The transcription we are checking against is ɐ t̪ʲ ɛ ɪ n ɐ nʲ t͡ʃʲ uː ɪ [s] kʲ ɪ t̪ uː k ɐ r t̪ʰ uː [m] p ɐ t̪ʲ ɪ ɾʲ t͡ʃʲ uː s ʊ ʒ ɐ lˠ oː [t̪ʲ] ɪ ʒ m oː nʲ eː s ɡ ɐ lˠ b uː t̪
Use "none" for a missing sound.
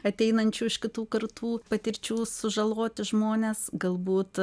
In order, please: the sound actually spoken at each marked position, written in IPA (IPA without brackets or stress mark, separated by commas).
ʃ, none, t̪ʲ